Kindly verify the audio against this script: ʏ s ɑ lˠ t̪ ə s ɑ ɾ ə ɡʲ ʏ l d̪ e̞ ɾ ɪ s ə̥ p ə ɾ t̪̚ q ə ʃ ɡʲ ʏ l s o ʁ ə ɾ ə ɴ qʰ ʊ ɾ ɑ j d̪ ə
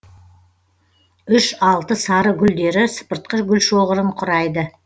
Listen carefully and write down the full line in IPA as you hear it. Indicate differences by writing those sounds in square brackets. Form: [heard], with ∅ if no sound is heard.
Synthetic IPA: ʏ [ʃ] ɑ lˠ t̪ ə s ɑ ɾ ə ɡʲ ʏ l d̪ e̞ ɾ ɪ s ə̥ p ə ɾ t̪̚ q ə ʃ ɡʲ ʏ l [ʃ] o ʁ ə ɾ ə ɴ qʰ ʊ ɾ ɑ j d̪ ə